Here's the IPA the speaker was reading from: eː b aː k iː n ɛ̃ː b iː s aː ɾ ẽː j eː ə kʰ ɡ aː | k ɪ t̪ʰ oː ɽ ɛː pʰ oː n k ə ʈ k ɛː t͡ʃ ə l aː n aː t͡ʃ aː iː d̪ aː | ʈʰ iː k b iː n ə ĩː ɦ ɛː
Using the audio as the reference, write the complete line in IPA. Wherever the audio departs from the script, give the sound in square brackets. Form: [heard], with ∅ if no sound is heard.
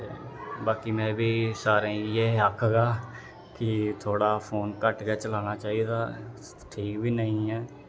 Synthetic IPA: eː b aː k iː [m] ɛ̃ː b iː s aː ɾ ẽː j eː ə kʰ ɡ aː | k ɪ t̪ʰ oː ɽ [aː] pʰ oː n k ə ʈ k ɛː t͡ʃ ə l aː n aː t͡ʃ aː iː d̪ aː | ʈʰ iː k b iː n ə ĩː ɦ ɛː

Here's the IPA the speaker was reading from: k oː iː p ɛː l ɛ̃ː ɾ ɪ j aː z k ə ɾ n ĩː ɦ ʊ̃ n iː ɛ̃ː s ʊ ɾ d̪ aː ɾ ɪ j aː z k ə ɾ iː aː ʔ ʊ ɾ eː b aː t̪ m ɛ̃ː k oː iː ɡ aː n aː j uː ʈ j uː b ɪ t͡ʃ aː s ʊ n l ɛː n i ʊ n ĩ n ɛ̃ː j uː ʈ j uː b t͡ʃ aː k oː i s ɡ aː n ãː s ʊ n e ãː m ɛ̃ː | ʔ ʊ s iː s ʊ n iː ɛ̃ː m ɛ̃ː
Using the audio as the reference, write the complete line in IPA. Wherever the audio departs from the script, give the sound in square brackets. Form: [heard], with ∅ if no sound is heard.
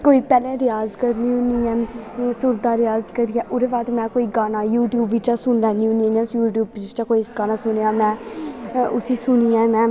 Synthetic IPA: k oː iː p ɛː l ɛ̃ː ɾ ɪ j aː z k ə ɾ n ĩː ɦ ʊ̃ n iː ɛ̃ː s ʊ ɾ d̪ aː ɾ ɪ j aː z k ə ɾ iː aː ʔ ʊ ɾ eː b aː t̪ m ɛ̃ː k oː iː ɡ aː n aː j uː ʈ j uː b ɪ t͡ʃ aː s ʊ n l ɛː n i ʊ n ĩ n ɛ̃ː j uː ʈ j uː b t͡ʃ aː k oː i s ɡ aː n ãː s ʊ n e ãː m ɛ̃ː | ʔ ʊ s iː s ʊ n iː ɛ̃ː m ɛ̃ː

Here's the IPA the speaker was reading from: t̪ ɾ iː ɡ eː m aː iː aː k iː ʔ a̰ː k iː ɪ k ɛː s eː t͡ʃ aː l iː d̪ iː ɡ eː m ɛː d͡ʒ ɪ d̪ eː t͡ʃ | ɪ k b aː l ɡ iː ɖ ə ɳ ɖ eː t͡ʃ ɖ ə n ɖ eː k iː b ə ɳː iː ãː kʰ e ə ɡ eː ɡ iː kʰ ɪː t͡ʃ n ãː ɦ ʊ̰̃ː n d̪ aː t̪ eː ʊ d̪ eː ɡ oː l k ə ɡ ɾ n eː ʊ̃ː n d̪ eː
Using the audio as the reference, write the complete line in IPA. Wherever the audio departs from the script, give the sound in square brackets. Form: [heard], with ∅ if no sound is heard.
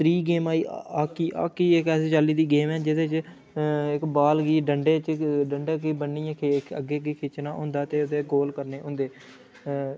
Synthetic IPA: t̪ ɾ iː ɡ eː m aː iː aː k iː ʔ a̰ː k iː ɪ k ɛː s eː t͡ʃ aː l iː d̪ iː ɡ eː m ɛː d͡ʒ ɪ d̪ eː t͡ʃ | ɪ k b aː l ɡ iː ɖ ə ɳ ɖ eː t͡ʃ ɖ ə [ɳ] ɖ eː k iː b ə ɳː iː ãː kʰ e ə ɡ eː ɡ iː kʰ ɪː t͡ʃ n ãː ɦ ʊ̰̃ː n d̪ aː t̪ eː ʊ d̪ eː ɡ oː l k ə [∅] ɾ n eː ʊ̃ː n d̪ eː

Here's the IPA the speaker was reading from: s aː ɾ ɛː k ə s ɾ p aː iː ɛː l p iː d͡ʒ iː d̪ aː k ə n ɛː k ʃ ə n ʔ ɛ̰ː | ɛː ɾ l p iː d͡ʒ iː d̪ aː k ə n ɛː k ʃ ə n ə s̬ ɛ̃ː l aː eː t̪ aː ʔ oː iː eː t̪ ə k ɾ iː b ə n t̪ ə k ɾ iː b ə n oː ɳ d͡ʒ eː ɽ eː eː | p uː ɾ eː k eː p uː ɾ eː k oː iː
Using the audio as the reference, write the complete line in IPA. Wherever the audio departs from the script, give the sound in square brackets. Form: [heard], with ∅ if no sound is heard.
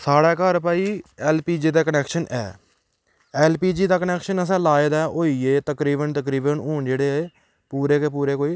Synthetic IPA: s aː [ɽ] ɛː k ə [∅] ɾ p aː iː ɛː l p iː d͡ʒ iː d̪ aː k ə n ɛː k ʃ ə n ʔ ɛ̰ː | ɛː [∅] l p iː d͡ʒ iː d̪ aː k ə n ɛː k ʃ ə n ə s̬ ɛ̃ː l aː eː [d̪] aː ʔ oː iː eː t̪ ə k ɾ iː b ə n t̪ ə k ɾ iː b ə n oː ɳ d͡ʒ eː ɽ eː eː | p uː ɾ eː k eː p uː ɾ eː k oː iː

